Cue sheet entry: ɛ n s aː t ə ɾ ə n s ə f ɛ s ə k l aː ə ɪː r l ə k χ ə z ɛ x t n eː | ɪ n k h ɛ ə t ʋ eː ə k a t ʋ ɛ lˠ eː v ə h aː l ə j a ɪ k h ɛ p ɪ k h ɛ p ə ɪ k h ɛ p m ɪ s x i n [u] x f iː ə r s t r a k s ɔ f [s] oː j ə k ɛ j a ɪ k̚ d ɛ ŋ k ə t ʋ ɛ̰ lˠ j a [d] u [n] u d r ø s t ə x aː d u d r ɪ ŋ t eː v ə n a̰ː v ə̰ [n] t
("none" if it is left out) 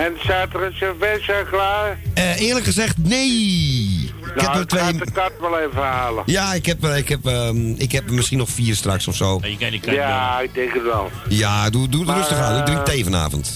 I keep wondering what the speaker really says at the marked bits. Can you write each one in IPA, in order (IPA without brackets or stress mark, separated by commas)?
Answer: ɔ, s, d, d, n